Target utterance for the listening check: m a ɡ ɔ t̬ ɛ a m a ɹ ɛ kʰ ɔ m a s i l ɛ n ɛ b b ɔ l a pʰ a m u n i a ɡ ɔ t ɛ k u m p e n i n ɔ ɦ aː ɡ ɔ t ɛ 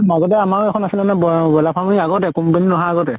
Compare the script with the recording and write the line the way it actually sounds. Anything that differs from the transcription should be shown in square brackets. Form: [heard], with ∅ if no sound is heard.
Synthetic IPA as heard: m a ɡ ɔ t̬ ɛ a m a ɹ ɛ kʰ ɔ [n] a s i l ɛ n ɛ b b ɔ l a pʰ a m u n i a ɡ ɔ t ɛ k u m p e n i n ɔ ɦ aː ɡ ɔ t ɛ